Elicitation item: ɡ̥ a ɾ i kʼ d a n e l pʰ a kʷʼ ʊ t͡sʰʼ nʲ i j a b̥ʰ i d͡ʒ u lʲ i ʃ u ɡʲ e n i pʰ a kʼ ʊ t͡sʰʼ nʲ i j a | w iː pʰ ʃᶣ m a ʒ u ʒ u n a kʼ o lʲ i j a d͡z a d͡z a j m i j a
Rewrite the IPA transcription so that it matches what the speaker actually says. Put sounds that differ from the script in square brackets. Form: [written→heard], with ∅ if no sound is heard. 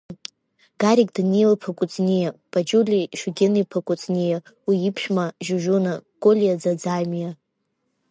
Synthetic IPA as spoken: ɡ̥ a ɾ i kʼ d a n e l pʰ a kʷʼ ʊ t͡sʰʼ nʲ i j a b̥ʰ [i→a] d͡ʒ u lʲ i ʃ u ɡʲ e n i pʰ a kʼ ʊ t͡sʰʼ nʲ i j a | w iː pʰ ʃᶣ m a ʒ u ʒ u n a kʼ o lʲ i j a d͡z a d͡z a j m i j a

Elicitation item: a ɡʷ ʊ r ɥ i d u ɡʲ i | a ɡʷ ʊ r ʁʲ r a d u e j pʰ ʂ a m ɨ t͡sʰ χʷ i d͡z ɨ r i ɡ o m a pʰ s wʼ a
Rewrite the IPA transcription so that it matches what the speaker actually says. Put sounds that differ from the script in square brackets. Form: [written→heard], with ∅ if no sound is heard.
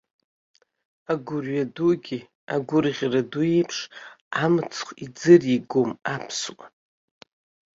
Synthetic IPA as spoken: a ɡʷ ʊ r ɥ [i→a] d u ɡʲ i | a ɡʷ ʊ r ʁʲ r a d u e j pʰ ʂ a m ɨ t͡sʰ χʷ i d͡z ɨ r i ɡ o m a pʰ s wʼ a

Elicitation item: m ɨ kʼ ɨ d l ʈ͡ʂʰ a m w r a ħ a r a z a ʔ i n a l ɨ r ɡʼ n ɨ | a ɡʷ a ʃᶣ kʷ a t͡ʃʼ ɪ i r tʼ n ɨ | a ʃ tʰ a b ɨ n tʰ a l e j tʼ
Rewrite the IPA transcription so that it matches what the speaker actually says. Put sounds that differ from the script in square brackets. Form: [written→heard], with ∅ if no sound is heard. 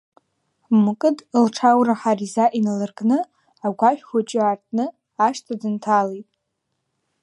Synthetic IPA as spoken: m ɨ kʼ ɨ d l ʈ͡ʂʰ a [m→∅] w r a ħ a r [a→i] z a ʔ i n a l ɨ r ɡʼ n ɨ | a ɡʷ a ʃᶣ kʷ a t͡ʃʼ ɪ [i→a] r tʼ n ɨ | a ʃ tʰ a [b→d] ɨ n tʰ a l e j tʼ

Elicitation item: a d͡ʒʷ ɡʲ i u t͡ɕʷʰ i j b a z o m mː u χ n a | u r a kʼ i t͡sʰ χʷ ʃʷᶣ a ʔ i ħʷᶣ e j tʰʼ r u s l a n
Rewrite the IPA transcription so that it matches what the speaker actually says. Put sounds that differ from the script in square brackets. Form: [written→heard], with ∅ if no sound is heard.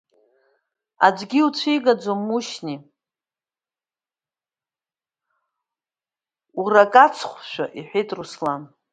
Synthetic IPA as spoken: a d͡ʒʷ ɡʲ i u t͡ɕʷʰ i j [b→ɡ] a [z→d͡z] o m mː u [χ→ʃ] n [a→i] | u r a kʼ [i→a] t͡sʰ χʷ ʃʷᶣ a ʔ i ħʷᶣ e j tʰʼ r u s l a n

